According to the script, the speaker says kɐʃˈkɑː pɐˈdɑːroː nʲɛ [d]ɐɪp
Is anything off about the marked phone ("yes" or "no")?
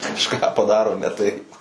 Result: yes